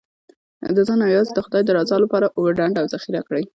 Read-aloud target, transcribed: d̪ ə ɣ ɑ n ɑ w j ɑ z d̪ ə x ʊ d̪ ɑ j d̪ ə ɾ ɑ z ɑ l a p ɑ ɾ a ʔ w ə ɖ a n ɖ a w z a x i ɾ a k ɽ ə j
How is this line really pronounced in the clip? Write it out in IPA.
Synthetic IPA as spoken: d̪ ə z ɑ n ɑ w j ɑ z d̪ ə x ʊ d̪ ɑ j d̪ ə ɾ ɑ z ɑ l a p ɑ ɾ a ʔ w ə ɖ a ɳ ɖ a w z a x i ɾ a k ɽ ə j